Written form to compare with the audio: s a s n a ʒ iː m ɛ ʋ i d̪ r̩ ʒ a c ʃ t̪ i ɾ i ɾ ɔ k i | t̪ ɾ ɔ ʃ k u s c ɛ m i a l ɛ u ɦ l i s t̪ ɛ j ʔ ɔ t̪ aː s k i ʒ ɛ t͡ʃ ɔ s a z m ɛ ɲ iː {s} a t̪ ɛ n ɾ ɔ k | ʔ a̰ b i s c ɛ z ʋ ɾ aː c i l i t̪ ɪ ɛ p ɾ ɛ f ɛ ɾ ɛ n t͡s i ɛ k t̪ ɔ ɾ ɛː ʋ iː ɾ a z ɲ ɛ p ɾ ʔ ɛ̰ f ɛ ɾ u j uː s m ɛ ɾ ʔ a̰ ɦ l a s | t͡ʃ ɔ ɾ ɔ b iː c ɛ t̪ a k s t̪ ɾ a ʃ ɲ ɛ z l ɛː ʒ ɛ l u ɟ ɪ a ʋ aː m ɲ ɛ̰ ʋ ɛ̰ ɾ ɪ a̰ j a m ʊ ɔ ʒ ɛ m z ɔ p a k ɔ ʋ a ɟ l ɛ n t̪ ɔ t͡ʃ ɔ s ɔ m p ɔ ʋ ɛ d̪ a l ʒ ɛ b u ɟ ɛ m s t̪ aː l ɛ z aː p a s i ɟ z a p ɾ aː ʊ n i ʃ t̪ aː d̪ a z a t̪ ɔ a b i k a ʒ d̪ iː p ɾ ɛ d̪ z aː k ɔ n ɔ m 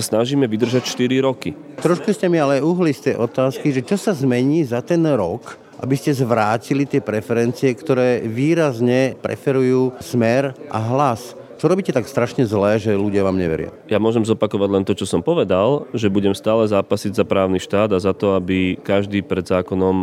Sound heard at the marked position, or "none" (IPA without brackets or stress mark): z